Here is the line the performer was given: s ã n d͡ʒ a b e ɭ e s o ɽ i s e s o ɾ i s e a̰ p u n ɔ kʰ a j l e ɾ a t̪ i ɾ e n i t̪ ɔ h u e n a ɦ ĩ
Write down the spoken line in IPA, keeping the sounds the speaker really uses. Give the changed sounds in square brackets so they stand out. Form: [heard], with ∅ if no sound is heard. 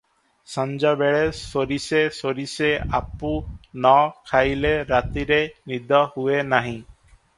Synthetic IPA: s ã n d͡ʒ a b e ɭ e s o [ɾ] i s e s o ɾ i s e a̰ p u n ɔ kʰ a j l e ɾ a t̪ i ɾ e n i [d̪] ɔ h u e n a ɦ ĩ